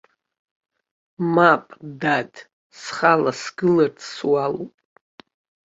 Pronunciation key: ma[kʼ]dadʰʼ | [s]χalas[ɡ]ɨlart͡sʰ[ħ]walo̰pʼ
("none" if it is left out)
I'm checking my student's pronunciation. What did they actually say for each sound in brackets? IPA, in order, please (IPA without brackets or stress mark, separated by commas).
pʼ, s, ɡ, s